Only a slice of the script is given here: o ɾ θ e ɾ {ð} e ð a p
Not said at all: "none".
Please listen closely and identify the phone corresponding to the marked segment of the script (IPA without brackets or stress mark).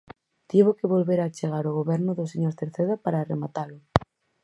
θ